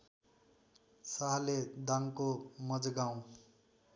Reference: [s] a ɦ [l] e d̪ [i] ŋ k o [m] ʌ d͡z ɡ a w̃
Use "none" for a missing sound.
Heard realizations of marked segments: s, l, a, m

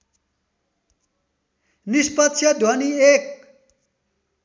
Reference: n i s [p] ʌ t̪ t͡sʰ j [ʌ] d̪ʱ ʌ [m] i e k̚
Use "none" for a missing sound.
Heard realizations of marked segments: p, ʌ, n

